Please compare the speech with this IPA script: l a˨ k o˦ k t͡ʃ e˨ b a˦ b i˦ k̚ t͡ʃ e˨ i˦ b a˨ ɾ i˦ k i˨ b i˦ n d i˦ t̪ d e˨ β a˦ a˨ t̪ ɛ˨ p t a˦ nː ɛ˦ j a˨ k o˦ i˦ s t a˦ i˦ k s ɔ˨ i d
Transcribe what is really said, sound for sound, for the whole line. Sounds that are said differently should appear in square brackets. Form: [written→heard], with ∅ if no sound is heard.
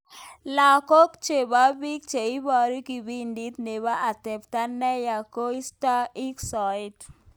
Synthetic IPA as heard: l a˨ k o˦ k t͡ʃ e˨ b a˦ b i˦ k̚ t͡ʃ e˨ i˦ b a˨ ɾ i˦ k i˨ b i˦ n d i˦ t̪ [d→n] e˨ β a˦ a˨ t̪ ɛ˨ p t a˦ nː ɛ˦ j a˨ k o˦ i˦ s t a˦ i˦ k s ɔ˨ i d